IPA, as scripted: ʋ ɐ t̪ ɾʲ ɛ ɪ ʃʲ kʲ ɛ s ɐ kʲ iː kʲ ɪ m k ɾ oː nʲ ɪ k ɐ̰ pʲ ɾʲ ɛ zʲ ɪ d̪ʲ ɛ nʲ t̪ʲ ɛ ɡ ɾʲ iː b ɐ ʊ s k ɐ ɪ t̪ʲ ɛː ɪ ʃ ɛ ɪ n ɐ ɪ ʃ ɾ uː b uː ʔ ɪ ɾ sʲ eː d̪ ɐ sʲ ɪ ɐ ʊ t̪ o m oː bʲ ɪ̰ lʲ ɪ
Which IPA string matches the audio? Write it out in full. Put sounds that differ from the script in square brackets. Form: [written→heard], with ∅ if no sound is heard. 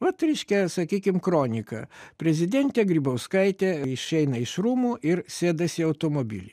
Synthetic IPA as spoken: ʋ ɐ t̪ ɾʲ ɛ ɪ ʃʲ kʲ ɛ s ɐ kʲ iː kʲ ɪ m k ɾ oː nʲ ɪ k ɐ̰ pʲ ɾʲ ɛ zʲ ɪ d̪ʲ ɛ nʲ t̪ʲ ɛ ɡ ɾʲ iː b ɐ ʊ s k ɐ ɪ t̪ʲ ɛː ɪ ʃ ɛ ɪ n ɐ ɪ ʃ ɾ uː [b→m] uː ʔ ɪ ɾ sʲ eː d̪ ɐ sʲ ɪ ɐ ʊ t̪ o m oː bʲ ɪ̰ lʲ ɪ